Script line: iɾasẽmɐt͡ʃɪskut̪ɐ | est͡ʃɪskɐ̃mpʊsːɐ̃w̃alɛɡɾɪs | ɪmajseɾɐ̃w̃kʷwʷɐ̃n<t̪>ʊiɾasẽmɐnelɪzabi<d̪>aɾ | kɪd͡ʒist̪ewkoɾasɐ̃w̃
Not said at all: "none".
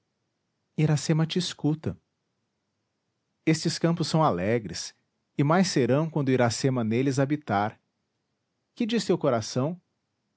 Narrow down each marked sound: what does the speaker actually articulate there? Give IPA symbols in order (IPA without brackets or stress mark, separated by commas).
d̪, t̪